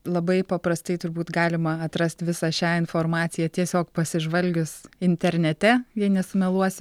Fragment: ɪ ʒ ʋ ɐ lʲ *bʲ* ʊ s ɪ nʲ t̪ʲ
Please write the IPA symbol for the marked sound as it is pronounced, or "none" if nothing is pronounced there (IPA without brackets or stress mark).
ɡʲ